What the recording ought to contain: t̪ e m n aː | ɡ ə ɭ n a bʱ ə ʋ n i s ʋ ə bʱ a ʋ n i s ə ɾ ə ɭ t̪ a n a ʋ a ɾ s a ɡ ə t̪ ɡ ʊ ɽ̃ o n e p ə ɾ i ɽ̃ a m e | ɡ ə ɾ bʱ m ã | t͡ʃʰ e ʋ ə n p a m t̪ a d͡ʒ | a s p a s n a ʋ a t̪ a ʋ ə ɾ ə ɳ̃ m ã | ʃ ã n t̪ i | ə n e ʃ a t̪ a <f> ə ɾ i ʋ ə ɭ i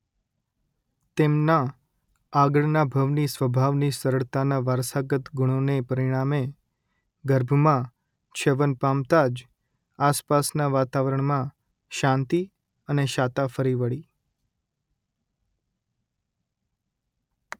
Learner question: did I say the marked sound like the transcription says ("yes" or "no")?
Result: yes